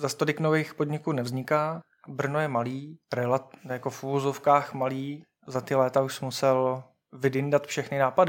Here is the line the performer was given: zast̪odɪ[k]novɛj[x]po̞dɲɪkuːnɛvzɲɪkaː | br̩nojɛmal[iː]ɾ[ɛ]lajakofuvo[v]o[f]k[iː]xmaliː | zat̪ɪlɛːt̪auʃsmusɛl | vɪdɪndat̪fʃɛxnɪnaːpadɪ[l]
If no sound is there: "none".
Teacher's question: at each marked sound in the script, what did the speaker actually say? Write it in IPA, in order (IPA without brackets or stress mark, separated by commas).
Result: k, x, iː, ɛ, z, f, aː, none